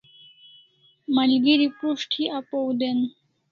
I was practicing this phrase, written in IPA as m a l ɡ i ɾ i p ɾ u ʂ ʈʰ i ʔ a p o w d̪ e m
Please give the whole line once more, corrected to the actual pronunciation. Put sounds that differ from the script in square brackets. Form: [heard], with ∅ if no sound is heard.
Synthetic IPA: m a l ɡ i ɾ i p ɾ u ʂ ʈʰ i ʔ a p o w d̪ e [n]